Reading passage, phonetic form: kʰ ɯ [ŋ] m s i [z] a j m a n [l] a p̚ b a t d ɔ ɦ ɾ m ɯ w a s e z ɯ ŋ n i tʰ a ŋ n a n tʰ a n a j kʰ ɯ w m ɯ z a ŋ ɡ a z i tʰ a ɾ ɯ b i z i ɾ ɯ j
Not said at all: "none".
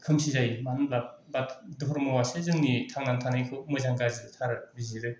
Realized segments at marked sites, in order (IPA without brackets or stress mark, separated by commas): none, z, l